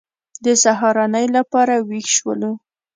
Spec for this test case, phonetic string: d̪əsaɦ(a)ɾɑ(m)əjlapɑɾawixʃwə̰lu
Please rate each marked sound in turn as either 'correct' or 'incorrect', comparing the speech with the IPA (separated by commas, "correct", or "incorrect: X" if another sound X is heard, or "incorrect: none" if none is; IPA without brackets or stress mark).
incorrect: ɑ, incorrect: n